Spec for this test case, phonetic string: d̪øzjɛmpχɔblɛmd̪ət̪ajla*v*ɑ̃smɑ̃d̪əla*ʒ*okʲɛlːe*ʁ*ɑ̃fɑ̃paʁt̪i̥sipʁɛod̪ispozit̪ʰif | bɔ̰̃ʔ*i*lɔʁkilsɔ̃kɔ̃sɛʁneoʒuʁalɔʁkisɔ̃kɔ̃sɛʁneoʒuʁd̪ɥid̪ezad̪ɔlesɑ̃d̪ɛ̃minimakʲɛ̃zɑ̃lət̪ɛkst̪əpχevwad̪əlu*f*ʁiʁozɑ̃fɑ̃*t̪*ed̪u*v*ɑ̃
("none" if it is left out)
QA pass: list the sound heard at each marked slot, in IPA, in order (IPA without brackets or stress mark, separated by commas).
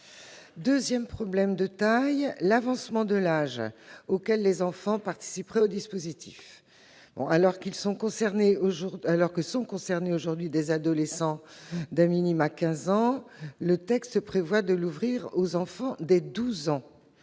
v, ʒ, z, a, v, d̪, z